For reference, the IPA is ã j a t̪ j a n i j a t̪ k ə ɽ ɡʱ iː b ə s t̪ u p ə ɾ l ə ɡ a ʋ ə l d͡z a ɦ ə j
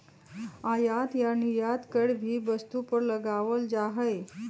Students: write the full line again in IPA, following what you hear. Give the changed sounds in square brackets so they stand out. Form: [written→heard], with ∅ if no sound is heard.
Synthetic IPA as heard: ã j a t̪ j a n i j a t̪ k ə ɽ [ɡʱ→bʱ] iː b ə s t̪ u p ə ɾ l ə ɡ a ʋ ə l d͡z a ɦ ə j